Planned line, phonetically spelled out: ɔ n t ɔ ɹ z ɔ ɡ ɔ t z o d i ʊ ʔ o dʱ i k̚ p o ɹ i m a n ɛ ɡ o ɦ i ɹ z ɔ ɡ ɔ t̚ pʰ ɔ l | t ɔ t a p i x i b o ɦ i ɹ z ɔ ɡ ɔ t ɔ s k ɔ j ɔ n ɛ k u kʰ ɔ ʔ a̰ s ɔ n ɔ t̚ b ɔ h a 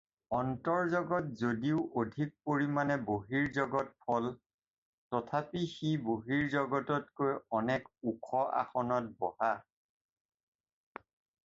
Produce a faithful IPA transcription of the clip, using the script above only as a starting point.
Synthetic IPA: ɔ n t ɔ ɹ z ɔ ɡ ɔ t z o d i ʊ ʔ o dʱ i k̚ p o ɹ i m a n ɛ b o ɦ i ɹ z ɔ ɡ ɔ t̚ pʰ ɔ l | t ɔ tʰ a p i x i b o ɦ i ɹ z ɔ ɡ ɔ t ɔ t k o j ɔ n ɛ k u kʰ ɔ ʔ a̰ x ɔ n ɔ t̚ b ɔ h a